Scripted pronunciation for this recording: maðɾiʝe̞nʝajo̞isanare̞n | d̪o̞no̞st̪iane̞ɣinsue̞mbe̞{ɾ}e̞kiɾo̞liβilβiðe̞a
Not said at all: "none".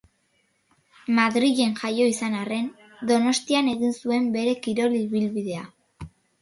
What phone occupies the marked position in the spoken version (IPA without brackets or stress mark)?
ɾ